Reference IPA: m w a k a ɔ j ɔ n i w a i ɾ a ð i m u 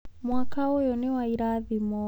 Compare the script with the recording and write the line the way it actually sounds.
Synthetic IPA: m w a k a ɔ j ɔ n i w a i ɾ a ð i m ɔ